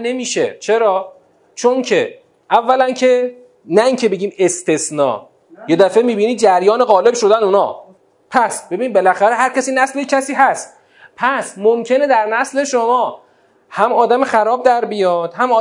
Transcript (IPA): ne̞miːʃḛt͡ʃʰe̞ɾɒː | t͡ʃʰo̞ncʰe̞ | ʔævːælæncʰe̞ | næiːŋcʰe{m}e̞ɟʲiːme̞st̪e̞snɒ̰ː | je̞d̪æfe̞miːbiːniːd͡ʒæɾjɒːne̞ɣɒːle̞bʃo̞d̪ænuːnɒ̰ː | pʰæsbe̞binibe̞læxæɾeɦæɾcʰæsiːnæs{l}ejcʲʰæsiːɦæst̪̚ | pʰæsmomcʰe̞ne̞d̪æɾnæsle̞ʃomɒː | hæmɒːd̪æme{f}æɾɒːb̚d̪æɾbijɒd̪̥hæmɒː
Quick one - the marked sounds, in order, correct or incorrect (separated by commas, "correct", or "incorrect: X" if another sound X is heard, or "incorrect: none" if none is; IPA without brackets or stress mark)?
incorrect: b, correct, incorrect: x